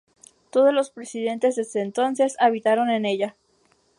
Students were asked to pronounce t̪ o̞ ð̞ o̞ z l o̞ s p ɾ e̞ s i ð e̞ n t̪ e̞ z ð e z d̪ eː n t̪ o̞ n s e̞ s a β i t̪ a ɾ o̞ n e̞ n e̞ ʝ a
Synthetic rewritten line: t̪ o̞ ð̞ o̞ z l o̞ s p ɾ e̞ s i ð e̞ n t̪ e̞ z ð e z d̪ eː n t̪ o̞ n s e̞ s a β i t̪ a ɾ o̞ n e̞ n e̞ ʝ a